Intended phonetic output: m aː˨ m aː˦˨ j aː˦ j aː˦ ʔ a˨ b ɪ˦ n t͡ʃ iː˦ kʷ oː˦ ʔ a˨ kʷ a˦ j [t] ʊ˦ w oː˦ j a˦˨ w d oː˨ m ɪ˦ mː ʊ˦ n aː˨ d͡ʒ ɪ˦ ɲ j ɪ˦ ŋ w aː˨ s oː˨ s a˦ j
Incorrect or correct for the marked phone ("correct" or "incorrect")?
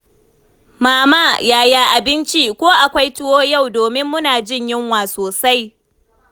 correct